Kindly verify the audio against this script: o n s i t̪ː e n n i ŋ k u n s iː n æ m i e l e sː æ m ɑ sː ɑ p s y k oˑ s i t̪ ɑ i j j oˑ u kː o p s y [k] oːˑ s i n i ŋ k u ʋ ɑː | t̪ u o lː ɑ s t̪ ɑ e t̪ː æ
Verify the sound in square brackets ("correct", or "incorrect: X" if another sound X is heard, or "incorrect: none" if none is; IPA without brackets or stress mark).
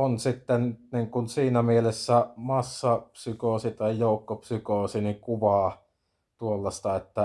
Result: correct